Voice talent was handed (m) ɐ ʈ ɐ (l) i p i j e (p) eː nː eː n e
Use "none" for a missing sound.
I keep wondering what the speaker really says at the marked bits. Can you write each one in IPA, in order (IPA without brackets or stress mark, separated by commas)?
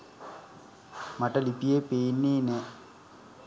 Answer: m, l, p